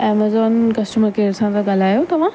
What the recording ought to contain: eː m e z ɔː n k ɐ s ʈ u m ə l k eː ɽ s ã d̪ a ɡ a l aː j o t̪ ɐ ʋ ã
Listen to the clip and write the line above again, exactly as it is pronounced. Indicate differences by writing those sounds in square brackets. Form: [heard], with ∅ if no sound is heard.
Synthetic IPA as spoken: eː m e z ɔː n k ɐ s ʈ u m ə [ɾ] k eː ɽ s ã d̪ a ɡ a l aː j o t̪ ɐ ʋ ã